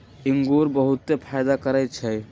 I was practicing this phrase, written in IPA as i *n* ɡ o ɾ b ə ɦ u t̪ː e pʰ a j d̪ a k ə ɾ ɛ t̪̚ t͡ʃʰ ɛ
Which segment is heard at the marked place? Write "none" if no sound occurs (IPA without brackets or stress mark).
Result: ŋ